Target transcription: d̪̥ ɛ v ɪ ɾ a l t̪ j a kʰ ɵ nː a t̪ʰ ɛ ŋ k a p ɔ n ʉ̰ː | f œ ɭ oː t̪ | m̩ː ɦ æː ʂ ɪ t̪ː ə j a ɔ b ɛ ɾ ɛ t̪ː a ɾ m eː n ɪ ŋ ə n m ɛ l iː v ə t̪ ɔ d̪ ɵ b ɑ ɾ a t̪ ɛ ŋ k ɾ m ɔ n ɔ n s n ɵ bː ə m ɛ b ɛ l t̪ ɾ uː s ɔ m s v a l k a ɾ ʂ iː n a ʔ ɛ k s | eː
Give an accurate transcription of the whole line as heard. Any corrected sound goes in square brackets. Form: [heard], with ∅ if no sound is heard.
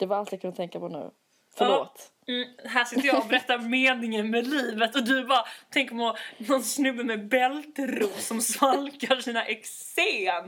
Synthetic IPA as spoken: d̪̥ ɛ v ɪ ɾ a l t̪ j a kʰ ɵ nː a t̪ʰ ɛ ŋ k a p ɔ n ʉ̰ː | f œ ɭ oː t̪ | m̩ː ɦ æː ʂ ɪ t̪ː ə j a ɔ b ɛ ɾ ɛ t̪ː a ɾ m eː n ɪ ŋ ə n m ɛ l iː v ə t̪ ɔ d̪ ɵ b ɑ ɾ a [t̪ʰ] ɛ ŋ k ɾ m ɔ n ɔ n s n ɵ bː ə m ɛ b ɛ l t̪ ɾ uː s ɔ m s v a l k a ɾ ʂ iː n a ʔ ɛ k s | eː